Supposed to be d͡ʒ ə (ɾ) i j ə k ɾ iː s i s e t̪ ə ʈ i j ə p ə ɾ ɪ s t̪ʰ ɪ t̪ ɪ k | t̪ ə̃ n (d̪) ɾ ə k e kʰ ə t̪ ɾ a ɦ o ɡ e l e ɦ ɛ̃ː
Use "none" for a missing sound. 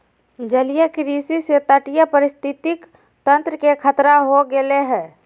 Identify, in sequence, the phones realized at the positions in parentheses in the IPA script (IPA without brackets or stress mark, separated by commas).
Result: l, t̪